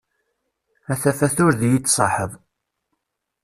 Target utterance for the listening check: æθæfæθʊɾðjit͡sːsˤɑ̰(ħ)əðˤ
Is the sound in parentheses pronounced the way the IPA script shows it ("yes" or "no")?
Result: yes